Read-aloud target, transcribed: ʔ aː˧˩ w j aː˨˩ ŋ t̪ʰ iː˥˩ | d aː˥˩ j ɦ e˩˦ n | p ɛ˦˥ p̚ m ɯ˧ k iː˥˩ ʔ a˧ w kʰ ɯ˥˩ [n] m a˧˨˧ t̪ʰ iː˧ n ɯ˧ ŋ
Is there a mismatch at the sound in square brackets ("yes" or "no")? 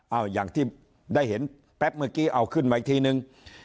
no